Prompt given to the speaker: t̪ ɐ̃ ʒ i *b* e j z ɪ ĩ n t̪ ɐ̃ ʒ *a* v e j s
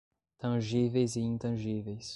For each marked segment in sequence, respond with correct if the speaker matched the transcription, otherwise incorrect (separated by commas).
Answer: incorrect, incorrect